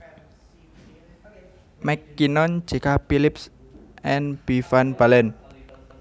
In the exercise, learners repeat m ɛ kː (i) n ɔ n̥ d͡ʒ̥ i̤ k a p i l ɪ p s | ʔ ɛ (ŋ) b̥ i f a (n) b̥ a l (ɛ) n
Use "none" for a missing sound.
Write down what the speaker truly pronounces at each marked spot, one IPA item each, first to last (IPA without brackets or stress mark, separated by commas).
i, n, n, ɛ